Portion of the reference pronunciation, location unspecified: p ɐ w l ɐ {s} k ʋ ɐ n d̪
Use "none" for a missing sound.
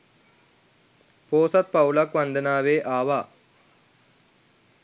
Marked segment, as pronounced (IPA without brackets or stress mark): none